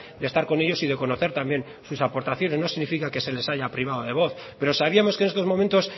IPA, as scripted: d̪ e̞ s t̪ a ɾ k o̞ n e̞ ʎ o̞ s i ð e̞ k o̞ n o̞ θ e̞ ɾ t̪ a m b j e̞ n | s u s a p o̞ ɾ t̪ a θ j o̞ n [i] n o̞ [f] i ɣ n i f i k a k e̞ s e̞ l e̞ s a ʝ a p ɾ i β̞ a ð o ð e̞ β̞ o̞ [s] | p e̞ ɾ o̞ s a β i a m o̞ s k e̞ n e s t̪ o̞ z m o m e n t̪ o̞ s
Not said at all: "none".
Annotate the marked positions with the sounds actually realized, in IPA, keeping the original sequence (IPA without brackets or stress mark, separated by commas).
e, s, θ